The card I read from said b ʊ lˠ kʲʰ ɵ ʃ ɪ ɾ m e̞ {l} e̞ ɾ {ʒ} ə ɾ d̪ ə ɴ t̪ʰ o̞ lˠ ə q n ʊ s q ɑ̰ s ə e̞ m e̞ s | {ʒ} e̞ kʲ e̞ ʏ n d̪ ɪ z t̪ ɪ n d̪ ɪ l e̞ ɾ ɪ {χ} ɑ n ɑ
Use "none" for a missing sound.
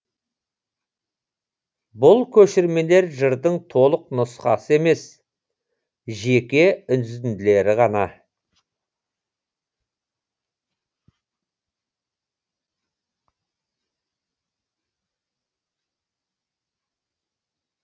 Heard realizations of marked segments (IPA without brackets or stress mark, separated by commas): l, ʒ, ʒ, ʁ